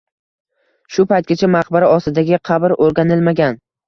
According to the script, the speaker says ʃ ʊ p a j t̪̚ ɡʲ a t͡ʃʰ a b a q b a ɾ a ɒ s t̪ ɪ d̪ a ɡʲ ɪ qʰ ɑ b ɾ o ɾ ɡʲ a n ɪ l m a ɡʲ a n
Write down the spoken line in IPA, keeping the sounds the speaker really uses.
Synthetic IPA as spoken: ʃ ʊ p a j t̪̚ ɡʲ a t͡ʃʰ a m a q b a ɾ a ɒ s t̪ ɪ d̪ a ɡʲ ɪ qʰ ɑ b ɾ o ɾ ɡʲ a n ɪ l m a ɡʲ a n